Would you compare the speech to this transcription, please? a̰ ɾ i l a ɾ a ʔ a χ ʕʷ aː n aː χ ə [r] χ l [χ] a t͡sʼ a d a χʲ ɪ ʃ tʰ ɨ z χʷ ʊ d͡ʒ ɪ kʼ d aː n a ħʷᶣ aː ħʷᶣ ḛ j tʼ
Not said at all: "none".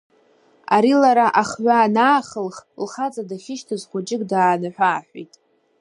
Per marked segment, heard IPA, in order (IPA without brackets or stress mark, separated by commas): l, χ